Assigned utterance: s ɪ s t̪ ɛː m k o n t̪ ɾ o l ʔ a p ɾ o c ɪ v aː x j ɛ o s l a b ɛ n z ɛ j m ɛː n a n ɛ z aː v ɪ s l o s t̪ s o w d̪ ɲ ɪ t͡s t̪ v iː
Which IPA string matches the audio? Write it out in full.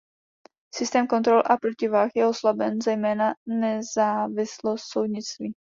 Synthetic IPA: s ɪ s t̪ ɛː m k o n t̪ ɾ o l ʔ a p ɾ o c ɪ v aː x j ɛ o s l a b ɛ n z ɛ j m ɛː n a n ɛ z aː v ɪ s l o s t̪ s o w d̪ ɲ ɪ t͡s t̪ v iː